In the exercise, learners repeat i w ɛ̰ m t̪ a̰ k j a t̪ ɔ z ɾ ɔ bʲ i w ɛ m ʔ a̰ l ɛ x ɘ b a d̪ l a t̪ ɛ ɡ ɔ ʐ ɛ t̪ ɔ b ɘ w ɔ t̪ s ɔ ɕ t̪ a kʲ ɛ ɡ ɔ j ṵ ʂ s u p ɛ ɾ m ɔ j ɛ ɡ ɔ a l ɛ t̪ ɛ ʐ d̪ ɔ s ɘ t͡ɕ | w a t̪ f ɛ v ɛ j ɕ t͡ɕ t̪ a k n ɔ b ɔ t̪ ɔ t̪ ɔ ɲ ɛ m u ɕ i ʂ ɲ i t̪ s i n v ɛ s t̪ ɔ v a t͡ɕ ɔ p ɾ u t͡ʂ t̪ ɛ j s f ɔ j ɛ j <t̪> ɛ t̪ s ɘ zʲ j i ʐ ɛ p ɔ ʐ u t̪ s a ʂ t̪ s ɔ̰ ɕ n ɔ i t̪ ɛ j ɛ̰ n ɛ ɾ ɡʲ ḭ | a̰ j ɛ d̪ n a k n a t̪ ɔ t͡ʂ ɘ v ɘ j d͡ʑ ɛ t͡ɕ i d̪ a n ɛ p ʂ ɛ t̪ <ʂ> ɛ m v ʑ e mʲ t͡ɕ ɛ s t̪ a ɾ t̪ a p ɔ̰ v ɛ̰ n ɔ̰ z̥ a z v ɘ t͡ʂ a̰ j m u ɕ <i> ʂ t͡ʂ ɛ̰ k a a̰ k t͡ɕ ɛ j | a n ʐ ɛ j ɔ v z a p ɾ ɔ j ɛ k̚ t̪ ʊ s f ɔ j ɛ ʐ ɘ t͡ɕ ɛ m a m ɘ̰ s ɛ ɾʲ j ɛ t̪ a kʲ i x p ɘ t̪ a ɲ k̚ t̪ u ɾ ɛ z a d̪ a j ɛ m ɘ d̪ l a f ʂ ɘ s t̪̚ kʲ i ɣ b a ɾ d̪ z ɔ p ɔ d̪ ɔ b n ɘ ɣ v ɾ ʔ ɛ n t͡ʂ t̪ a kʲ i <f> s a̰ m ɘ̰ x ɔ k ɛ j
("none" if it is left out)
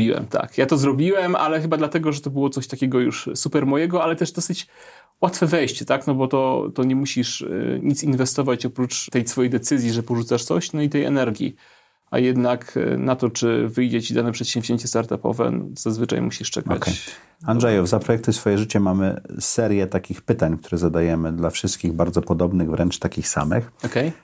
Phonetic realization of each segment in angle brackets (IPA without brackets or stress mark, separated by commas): d̪, ɕ, i, x